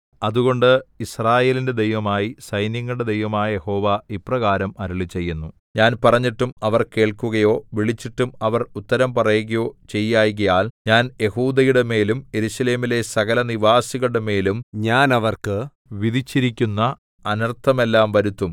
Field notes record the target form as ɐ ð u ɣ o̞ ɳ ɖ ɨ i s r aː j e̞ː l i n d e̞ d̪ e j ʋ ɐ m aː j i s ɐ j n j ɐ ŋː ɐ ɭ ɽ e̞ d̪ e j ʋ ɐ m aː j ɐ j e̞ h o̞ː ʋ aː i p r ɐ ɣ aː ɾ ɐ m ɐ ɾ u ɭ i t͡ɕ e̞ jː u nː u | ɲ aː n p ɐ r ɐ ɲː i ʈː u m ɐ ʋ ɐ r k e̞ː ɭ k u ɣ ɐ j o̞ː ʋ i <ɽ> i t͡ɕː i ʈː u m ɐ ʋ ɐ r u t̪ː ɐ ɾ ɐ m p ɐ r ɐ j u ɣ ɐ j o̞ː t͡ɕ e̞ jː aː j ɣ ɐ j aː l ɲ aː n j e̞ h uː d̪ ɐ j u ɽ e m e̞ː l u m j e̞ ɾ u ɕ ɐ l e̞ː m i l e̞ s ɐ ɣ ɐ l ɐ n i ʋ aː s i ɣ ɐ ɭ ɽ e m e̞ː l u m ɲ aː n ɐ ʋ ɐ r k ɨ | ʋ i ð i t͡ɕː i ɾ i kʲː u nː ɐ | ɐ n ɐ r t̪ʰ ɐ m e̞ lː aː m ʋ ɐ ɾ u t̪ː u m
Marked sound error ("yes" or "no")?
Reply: yes